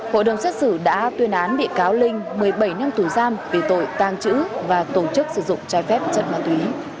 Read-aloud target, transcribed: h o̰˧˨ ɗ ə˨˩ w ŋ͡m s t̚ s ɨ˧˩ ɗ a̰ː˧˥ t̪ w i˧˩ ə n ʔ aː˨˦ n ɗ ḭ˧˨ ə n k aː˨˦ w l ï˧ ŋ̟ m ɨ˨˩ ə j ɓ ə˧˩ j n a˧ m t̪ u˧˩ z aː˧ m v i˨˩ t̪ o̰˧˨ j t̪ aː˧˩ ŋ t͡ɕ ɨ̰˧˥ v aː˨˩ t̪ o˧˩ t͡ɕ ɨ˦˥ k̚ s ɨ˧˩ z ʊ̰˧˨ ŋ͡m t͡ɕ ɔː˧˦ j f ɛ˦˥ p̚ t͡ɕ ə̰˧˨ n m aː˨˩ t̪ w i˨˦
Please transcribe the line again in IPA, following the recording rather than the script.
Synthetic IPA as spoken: h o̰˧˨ ɗ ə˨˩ w ŋ͡m s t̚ s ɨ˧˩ ɗ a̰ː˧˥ t̪ w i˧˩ ə n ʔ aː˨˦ n ɗ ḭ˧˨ ə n k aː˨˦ w l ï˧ ŋ̟ m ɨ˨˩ ə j ɓ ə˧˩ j n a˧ m t̪ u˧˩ z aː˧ m v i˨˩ t̪ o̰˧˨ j t̪ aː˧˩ ŋ t͡ɕ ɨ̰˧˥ v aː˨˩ t̪ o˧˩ t͡ɕ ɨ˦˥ k̚ s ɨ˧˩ z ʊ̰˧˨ ŋ͡m t͡ɕ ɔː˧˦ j f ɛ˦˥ p̚ t͡ɕ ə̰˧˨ n m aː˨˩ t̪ w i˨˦